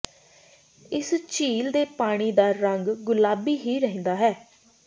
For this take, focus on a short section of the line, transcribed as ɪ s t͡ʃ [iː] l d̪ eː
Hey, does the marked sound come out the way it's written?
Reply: yes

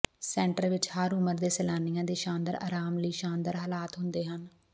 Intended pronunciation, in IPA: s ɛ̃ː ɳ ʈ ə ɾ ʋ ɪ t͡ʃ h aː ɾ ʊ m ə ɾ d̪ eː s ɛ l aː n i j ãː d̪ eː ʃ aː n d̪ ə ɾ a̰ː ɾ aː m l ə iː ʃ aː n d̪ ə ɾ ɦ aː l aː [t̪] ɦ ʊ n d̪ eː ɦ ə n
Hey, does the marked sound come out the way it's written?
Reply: yes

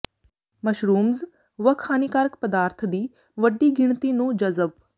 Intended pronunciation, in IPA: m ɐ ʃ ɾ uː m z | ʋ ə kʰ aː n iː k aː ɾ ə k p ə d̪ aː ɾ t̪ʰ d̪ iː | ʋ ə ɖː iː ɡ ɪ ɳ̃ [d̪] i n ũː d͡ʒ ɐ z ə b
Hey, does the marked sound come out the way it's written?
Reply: no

